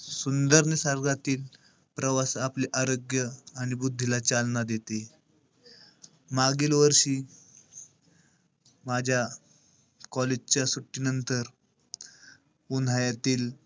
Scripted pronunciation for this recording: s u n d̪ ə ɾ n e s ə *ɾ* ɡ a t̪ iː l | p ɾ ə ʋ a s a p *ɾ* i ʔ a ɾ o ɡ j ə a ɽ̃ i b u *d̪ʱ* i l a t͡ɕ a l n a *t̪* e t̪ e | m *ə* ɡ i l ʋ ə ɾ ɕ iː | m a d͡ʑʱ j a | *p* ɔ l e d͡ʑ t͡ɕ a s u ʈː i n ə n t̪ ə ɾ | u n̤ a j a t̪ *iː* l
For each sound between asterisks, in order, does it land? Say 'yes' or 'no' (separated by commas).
yes, no, no, no, no, no, yes